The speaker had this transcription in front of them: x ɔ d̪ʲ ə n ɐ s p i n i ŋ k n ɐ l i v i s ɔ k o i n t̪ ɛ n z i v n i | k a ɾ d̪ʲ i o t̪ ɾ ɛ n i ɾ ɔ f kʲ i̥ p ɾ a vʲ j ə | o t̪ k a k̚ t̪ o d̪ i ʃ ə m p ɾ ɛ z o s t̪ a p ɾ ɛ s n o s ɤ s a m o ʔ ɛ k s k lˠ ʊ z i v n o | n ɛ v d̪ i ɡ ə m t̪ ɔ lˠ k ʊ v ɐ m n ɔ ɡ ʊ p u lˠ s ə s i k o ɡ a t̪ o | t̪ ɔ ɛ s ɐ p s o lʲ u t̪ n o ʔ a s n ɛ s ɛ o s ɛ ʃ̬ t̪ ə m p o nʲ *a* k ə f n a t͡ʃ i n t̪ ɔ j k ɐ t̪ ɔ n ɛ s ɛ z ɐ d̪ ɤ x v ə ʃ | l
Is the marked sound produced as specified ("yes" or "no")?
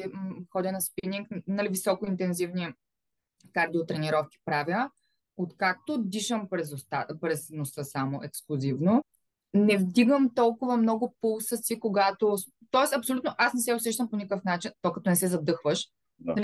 no